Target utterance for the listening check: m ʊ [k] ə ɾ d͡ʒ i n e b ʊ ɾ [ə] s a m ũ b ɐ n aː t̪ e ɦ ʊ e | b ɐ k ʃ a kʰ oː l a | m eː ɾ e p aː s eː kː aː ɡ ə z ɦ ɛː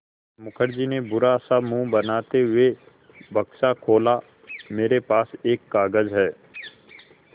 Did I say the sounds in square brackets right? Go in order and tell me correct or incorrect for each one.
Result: incorrect: kʰ, incorrect: a

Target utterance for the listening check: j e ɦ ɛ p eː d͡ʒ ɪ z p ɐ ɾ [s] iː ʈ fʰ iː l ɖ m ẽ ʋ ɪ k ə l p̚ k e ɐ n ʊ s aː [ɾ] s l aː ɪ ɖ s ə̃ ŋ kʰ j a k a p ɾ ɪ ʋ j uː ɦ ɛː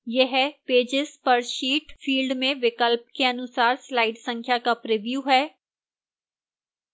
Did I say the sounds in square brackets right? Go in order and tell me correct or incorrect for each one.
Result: incorrect: ʃ, correct

